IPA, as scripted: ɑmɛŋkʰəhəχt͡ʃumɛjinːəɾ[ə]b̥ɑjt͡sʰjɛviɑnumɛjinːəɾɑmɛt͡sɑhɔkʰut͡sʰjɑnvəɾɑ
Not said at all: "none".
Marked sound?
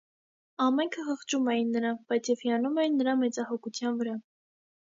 ɑ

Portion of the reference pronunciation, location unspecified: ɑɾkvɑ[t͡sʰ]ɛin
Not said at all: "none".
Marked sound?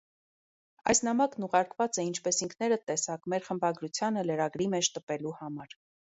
t͡s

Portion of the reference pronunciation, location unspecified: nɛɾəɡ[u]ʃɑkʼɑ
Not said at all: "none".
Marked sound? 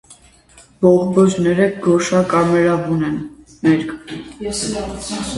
ɔ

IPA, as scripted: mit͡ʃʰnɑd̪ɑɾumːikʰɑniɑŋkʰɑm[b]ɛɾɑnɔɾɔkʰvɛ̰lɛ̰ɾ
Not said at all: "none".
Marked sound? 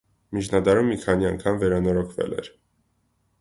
v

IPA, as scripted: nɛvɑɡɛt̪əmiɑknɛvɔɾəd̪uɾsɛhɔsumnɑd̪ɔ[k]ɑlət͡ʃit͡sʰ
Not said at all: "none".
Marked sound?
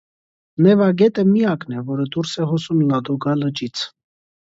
ɡ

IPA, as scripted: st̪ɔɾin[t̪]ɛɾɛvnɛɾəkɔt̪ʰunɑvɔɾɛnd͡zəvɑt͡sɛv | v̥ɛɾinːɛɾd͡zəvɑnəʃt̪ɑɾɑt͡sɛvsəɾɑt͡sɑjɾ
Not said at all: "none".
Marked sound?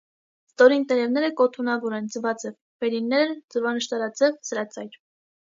t̪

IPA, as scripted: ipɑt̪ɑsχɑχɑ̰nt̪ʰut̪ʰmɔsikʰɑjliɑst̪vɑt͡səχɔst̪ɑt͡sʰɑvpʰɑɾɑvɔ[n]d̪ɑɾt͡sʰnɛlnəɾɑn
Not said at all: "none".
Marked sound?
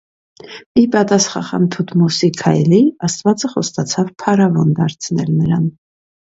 n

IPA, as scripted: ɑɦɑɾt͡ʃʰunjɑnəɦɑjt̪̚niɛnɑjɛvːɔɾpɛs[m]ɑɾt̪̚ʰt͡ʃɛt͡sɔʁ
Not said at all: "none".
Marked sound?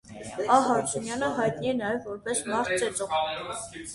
m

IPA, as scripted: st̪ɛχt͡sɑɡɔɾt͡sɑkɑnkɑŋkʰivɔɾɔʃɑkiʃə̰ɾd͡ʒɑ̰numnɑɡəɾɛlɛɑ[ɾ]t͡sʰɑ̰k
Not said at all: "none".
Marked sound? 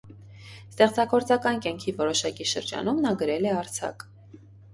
ɾ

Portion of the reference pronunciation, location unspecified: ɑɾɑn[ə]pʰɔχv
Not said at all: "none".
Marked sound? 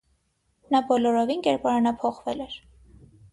ɑ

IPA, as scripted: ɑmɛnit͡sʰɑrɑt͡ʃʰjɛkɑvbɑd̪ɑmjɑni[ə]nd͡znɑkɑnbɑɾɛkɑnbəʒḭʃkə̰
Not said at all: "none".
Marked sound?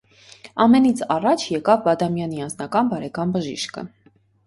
ɑ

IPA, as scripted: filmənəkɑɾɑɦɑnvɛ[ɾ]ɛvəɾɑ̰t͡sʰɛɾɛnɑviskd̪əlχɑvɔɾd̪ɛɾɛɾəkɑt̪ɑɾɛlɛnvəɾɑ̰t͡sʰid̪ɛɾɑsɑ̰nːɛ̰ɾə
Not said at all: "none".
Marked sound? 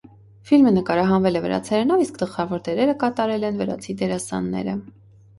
l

